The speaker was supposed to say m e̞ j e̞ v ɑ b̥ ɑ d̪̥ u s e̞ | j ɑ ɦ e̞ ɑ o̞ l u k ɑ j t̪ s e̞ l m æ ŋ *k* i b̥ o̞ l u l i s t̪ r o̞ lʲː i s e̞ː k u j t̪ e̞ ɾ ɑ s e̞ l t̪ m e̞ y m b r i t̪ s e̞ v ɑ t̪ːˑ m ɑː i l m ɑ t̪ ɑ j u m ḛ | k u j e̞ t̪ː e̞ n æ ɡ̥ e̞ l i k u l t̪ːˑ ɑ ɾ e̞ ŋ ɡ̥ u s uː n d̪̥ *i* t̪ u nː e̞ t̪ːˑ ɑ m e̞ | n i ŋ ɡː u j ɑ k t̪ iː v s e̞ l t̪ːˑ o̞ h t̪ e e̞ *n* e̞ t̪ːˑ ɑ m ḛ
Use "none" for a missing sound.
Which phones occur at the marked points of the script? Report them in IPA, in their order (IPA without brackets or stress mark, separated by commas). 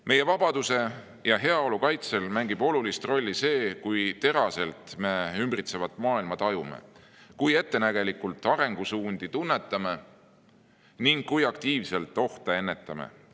ɡ, i, nː